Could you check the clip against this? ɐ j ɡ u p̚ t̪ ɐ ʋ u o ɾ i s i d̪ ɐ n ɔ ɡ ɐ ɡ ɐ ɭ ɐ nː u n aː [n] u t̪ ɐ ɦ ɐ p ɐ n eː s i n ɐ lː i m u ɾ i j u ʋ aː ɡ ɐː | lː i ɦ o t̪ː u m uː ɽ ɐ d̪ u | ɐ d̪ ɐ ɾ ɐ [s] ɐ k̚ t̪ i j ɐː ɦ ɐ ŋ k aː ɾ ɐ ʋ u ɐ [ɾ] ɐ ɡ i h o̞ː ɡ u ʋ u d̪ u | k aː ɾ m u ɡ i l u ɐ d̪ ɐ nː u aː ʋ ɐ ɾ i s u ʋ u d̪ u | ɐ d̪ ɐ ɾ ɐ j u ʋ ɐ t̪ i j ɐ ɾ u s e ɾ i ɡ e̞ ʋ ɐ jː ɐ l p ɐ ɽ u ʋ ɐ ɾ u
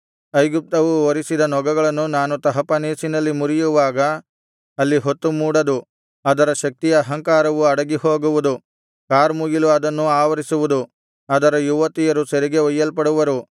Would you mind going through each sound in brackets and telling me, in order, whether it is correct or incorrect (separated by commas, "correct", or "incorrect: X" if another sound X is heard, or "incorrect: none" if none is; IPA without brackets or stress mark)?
correct, incorrect: ʃ, incorrect: ɽ